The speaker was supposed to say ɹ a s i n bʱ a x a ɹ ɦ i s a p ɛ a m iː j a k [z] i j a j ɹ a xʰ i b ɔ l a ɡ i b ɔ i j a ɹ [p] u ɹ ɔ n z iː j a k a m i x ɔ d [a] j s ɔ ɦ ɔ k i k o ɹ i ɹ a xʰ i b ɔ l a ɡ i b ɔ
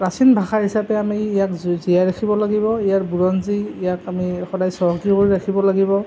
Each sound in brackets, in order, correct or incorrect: correct, incorrect: b, correct

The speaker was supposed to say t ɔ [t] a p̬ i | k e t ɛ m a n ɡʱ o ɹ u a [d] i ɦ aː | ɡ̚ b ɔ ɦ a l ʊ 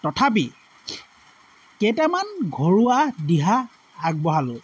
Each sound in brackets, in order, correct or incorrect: incorrect: tʰ, correct

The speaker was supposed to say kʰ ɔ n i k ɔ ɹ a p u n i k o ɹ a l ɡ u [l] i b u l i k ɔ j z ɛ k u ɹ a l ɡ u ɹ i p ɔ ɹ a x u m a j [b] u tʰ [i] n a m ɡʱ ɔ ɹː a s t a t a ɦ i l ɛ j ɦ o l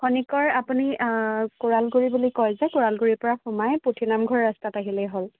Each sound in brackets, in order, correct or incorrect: incorrect: ɹ, incorrect: p, correct

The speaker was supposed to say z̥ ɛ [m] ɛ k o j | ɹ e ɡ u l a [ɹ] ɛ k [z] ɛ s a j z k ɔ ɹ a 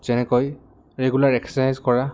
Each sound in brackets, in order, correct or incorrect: incorrect: n, correct, incorrect: s

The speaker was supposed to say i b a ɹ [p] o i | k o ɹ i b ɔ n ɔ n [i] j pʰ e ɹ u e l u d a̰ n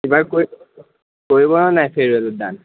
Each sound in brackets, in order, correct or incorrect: incorrect: k, incorrect: a

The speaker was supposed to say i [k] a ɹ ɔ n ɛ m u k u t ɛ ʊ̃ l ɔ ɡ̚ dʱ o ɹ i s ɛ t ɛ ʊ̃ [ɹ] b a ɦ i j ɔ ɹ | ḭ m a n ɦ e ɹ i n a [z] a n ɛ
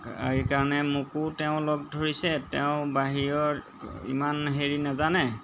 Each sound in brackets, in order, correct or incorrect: correct, incorrect: none, correct

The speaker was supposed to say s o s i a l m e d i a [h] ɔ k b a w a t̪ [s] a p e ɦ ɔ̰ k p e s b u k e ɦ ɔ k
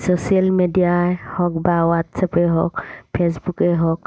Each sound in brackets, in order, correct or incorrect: correct, correct

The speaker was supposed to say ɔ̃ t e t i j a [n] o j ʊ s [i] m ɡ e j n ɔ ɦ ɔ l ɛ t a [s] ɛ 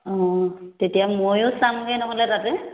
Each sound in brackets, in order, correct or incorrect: incorrect: m, incorrect: a, incorrect: t

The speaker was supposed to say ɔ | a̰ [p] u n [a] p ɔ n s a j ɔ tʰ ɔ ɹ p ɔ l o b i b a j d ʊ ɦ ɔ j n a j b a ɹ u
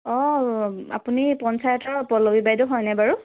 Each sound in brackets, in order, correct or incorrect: correct, incorrect: i

